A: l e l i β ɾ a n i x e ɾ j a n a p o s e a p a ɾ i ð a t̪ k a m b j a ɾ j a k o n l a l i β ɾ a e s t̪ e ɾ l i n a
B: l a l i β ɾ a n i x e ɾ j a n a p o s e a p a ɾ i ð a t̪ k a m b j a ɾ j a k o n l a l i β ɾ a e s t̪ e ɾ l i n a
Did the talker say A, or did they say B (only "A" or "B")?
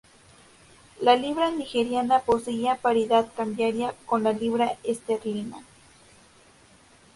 B